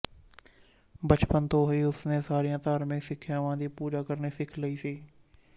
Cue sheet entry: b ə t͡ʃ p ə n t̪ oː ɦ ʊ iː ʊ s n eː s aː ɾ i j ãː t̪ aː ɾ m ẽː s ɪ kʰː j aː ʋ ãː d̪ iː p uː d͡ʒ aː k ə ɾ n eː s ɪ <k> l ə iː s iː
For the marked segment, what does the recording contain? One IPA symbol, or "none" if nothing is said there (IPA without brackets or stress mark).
kʰ